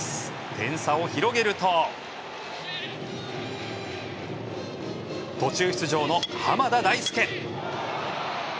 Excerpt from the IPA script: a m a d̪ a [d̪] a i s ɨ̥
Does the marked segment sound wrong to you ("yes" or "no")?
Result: no